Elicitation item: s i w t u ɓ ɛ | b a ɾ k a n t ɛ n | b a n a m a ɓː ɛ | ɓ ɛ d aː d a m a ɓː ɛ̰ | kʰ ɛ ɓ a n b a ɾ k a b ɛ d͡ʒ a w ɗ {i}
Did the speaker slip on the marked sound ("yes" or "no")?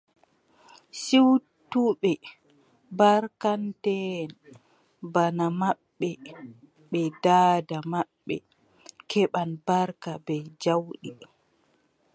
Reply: no